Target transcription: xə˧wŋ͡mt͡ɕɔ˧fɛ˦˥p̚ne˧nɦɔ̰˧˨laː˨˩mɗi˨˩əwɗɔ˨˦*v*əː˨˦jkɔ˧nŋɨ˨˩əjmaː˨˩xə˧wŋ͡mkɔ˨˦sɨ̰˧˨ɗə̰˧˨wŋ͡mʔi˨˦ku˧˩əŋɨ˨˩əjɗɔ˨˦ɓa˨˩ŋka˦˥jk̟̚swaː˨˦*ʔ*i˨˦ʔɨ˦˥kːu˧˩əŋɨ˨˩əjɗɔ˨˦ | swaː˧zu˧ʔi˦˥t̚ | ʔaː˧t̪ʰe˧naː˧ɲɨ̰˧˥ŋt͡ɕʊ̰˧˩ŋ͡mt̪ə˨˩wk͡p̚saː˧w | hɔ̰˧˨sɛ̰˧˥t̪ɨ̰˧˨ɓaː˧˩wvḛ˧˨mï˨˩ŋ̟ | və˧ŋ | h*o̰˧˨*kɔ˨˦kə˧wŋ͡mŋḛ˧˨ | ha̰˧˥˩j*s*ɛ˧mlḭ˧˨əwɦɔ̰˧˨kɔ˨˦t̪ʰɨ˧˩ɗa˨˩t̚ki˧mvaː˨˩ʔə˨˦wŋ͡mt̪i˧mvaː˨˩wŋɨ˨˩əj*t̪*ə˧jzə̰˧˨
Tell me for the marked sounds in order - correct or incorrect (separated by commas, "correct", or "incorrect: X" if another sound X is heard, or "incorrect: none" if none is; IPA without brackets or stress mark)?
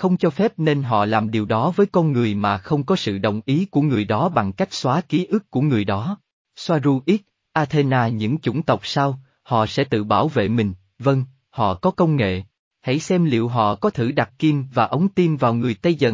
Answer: correct, incorrect: k, incorrect: ɔ̰˧˨, correct, correct